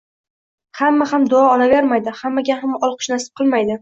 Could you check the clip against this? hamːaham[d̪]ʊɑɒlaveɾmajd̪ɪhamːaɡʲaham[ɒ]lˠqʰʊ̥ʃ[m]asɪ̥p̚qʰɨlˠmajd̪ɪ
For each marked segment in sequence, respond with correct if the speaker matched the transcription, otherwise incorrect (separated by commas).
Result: correct, correct, incorrect